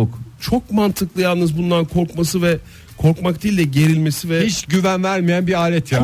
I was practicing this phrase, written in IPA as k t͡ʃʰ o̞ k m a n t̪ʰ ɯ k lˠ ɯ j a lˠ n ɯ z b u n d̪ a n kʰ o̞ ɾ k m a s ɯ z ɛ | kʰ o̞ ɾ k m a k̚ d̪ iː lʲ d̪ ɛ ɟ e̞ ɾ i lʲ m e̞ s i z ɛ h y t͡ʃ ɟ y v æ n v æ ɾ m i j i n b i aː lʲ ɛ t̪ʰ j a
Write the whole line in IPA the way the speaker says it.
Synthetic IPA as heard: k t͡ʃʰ o̞ k m a n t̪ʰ ɯ k lˠ ɯ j a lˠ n ɯ z b u n d̪ a n kʰ o̞ ɾ k m a s ɯ v ɛ | kʰ o̞ ɾ k m a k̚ d̪ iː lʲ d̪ ɛ ɟ e̞ ɾ i lʲ m e̞ s i v ɛ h i t͡ʃ ɟ y v æ n v æ ɾ m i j æ n b i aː lʲ ɛ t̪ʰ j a